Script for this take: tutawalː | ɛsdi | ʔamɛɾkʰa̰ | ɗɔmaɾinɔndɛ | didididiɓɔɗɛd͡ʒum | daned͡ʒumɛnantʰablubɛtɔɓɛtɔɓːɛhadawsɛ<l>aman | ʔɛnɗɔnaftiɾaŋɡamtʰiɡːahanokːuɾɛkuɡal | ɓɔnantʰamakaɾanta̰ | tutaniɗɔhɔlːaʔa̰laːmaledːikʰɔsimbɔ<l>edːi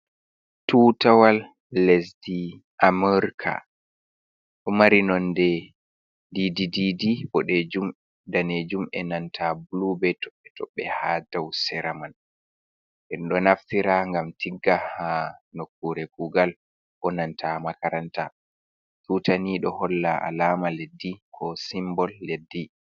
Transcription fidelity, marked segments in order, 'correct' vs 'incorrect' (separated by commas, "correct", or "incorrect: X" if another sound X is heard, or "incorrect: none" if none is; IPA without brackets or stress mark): incorrect: ɾ, incorrect: lː